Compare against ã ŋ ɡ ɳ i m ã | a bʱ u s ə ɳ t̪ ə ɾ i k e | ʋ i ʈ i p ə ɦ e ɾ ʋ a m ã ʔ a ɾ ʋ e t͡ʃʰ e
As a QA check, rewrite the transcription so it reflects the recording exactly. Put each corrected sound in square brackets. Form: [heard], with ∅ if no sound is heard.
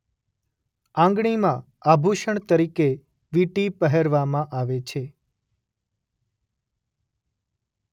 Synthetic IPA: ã ŋ ɡ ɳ i m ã | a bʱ u [ʃ] ə ɳ t̪ ə ɾ i k e | ʋ i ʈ i p ə ɦ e ɾ ʋ a m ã ʔ a [∅] ʋ e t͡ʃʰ e